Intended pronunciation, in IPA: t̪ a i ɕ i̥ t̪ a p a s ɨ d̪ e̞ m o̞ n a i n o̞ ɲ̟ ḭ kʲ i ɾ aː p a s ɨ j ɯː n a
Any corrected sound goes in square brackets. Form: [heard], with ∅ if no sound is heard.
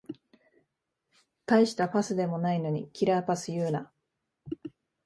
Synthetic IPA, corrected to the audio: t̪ a i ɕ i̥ t̪ a p a s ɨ d̪ e̞ m o̞ n a i n o̞ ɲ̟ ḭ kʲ i ɾ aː p a s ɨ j ɯː n a